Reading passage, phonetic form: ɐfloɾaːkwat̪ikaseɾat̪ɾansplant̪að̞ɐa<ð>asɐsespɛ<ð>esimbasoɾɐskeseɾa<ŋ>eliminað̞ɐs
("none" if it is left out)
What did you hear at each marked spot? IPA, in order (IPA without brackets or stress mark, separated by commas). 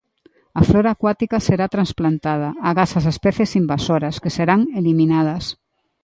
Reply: ɣ, θ, ŋ